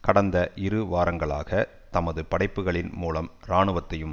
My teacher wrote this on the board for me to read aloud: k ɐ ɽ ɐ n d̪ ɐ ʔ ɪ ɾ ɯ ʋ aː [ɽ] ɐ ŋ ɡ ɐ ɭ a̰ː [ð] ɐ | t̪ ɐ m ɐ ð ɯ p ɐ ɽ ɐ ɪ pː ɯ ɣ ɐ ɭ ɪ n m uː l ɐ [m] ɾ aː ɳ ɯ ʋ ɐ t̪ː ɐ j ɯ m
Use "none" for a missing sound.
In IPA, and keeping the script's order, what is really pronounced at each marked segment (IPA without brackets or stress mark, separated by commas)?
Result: ɾ, ɣ, m